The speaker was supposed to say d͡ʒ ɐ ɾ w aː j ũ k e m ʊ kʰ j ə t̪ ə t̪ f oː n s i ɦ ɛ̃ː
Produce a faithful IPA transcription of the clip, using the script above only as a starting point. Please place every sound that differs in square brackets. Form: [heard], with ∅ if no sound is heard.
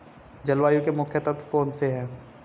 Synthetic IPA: d͡ʒ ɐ [l] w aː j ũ k e m ʊ kʰ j ə t̪ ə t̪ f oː n s [e] ɦ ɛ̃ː